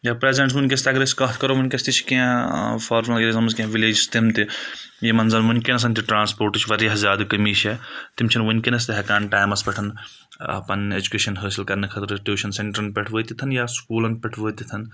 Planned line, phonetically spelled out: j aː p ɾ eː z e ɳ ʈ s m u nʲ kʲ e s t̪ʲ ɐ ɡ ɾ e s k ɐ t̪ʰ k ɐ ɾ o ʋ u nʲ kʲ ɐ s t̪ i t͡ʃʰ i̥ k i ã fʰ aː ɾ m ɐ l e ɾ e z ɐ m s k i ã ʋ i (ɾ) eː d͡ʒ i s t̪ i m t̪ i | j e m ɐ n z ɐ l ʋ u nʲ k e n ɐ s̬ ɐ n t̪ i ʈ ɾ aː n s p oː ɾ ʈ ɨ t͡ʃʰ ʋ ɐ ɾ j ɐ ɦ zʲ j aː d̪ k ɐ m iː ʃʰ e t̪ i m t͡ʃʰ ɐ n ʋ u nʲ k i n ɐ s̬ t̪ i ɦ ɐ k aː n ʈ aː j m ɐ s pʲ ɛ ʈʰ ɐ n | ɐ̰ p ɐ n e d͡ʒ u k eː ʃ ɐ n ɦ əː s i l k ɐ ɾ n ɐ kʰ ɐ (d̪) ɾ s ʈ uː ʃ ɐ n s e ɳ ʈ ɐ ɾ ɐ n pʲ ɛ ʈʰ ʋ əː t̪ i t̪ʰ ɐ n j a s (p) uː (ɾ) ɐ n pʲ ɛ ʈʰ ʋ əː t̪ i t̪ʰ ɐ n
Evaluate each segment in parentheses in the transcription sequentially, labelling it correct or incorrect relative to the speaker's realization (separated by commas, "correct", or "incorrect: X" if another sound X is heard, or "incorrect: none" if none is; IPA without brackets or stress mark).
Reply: incorrect: l, incorrect: t̪, incorrect: k, incorrect: l